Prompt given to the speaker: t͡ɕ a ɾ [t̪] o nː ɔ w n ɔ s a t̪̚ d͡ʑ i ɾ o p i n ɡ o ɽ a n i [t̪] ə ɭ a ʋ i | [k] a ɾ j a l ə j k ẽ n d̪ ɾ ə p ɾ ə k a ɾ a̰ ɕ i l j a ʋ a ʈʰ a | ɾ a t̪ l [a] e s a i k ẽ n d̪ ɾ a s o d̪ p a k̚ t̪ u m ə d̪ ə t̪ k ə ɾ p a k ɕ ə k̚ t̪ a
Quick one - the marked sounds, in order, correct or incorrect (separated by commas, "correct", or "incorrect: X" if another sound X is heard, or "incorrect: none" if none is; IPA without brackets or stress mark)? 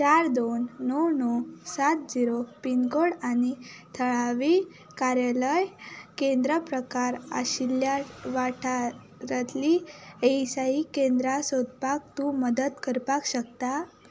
incorrect: d̪, incorrect: t̪ʰ, correct, incorrect: i